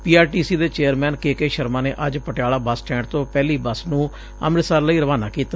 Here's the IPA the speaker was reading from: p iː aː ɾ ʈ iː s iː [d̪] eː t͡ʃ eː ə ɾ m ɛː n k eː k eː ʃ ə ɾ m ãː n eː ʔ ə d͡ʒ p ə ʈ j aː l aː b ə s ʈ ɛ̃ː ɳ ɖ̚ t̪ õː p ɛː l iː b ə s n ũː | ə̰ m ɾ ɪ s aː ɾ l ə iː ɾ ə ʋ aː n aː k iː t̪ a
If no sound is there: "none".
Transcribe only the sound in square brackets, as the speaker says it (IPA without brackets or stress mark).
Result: d̪